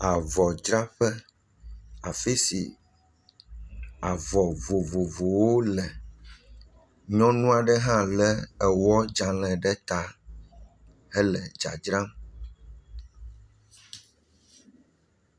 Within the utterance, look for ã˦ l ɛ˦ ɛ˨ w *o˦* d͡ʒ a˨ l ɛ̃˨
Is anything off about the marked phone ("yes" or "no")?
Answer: yes